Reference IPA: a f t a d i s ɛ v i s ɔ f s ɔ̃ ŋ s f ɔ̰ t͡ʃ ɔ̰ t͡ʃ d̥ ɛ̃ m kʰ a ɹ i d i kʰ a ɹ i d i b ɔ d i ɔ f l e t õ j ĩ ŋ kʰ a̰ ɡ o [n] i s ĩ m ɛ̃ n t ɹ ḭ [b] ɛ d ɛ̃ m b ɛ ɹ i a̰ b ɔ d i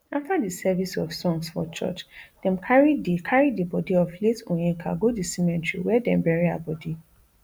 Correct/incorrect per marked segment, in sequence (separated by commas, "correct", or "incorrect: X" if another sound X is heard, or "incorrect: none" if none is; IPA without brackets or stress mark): incorrect: d, incorrect: w